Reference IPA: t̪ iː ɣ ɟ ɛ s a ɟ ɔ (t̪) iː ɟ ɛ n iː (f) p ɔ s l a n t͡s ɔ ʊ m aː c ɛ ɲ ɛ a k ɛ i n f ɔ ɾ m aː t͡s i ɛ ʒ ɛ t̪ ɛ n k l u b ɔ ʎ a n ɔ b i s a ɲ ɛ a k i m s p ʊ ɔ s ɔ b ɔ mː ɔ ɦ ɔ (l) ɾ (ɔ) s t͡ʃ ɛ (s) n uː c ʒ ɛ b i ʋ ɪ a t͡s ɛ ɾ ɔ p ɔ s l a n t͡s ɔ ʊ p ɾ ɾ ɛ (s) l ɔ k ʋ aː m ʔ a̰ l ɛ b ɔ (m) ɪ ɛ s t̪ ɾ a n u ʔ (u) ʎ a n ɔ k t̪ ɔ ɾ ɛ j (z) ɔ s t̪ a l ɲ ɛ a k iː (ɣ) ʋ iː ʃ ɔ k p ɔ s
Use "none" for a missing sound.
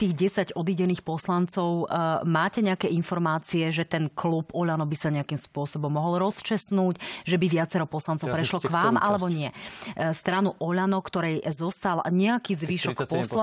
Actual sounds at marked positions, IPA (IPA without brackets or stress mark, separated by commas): d̪, x, l, ɔ, s, ʃ, ɲ, ɔ, z, z